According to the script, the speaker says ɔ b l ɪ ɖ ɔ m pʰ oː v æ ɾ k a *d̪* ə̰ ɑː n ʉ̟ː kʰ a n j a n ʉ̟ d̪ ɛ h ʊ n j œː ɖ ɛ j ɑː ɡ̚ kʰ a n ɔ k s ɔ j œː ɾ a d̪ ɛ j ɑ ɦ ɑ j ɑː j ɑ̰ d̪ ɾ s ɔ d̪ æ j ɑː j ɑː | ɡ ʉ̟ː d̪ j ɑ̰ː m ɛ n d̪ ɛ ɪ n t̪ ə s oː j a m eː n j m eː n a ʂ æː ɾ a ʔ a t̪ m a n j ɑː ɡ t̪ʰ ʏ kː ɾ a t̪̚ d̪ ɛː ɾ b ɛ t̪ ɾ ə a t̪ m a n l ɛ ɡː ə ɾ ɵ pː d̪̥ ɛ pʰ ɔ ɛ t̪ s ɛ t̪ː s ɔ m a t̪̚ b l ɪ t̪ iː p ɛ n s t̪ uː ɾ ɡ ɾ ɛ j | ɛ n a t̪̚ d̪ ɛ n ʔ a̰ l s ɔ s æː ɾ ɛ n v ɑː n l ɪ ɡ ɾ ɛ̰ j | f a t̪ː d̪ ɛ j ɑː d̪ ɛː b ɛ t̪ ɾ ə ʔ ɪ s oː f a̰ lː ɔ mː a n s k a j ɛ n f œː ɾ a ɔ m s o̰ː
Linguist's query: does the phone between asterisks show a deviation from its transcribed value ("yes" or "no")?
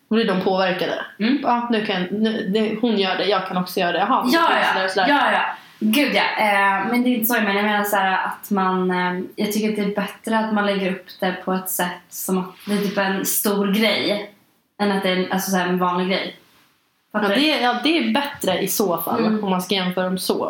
no